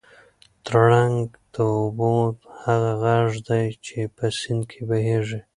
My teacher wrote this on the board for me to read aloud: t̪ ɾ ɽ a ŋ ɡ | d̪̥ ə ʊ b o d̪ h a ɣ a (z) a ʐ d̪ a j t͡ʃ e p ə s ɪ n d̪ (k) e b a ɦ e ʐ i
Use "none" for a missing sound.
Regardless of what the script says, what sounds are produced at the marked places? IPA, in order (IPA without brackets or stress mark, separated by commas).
ɣ, kʰ